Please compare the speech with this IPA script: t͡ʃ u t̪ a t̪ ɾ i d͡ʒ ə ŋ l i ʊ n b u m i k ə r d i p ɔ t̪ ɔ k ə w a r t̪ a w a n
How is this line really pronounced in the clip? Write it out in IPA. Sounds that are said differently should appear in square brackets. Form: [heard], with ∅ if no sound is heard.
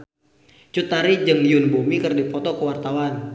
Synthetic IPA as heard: t͡ʃ u t̪ a [∅] ɾ i d͡ʒ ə ŋ l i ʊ n b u m i k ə r d i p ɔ t̪ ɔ k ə w a r t̪ a w a n